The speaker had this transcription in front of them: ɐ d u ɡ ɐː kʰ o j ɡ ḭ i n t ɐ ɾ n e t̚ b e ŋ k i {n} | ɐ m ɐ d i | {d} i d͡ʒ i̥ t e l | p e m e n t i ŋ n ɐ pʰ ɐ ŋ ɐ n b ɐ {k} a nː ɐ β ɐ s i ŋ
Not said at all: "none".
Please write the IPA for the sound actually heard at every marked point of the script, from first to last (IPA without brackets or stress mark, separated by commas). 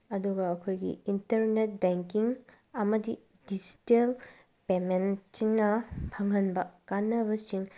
ŋ, d, k